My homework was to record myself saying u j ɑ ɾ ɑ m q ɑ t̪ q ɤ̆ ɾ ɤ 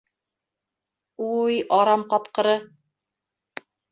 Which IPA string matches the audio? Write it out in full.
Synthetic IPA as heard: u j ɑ ɾ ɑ m q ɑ t̪ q ɤ̆ ɾ ɤ